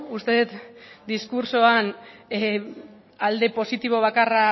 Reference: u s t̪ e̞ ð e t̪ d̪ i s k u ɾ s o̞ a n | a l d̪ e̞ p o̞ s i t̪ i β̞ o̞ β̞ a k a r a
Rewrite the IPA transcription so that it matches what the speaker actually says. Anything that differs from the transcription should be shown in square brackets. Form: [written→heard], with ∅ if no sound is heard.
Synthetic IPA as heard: u s t̪ e̞ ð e t̪ d̪ i s k u ɾ s o̞ a n | a l d̪ e̞ p o̞ s i t̪ i β̞ o̞ β̞ a k a r a